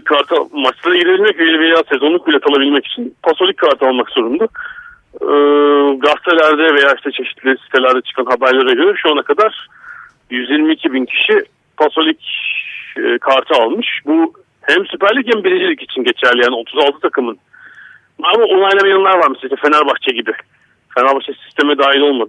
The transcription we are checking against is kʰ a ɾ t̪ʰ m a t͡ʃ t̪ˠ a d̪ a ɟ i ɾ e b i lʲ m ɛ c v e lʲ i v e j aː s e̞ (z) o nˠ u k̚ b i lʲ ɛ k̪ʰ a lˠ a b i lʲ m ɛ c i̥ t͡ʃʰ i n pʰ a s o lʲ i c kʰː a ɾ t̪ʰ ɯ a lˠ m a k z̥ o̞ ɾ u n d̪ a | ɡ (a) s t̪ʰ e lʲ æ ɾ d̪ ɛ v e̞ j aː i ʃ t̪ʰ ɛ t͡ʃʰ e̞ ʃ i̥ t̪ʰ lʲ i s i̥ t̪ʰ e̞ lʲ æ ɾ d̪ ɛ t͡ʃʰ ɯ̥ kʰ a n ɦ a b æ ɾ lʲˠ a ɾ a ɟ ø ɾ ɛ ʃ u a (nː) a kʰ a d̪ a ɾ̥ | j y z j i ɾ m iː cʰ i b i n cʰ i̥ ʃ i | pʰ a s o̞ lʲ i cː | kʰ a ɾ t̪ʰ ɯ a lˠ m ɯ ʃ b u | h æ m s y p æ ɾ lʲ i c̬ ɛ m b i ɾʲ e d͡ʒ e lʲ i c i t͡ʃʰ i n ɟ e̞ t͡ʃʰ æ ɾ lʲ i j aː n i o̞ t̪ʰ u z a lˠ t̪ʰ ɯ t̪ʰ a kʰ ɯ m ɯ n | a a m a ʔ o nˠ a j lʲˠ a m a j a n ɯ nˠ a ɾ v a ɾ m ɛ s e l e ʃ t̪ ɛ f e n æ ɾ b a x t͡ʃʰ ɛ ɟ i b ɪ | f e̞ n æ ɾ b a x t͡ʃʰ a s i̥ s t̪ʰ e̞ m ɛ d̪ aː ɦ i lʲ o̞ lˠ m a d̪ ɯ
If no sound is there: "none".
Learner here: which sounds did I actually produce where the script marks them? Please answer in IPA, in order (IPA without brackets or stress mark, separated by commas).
z, a, n